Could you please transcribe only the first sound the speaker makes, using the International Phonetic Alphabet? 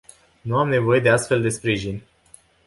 n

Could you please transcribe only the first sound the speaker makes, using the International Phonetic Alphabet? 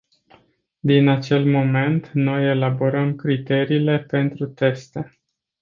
d̪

